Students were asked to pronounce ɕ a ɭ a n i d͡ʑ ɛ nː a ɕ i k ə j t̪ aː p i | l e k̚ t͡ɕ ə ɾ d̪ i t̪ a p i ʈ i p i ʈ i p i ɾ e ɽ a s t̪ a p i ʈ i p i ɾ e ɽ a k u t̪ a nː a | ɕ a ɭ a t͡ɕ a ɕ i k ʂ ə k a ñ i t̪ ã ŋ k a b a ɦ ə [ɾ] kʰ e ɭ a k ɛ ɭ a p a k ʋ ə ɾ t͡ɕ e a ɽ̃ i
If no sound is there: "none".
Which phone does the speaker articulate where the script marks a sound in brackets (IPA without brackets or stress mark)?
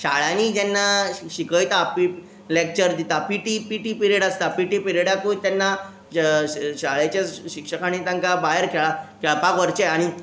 ɾ